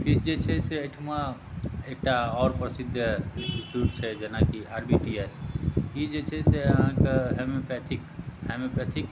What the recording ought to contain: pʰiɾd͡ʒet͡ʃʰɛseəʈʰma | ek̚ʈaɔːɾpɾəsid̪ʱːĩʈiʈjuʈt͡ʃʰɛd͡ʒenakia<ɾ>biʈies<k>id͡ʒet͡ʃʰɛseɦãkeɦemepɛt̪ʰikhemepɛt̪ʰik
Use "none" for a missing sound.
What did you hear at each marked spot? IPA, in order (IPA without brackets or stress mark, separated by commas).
ɾ, k